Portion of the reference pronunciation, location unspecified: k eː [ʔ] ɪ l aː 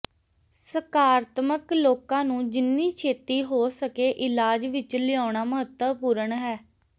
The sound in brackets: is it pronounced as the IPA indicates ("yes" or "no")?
yes